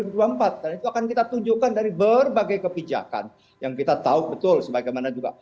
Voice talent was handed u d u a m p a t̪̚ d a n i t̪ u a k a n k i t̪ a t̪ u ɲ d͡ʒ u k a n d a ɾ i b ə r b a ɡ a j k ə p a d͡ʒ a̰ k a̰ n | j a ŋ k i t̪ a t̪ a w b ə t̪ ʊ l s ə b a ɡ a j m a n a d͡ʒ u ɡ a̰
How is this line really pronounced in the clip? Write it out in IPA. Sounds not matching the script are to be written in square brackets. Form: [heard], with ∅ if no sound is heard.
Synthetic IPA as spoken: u d u a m p a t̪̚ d a n i t̪ u a k a n k i t̪ a t̪ u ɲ d͡ʒ u k a n d a ɾ i b ə r b a ɡ a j k ə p [i] d͡ʒ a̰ k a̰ n | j a ŋ k i t̪ a t̪ a [u] b ə t̪ ʊ l s ə b a ɡ a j m a n a d͡ʒ u ɡ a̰